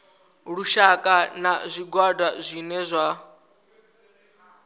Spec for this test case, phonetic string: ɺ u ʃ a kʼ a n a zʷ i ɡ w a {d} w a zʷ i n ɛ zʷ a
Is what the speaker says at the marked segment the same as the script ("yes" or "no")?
yes